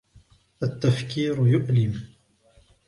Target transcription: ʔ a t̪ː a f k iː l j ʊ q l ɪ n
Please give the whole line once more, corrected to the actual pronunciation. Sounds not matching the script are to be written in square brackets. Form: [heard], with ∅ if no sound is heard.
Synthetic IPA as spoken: ʔ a t̪ː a f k iː [ɾ] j ʊ [ʔ] l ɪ [m]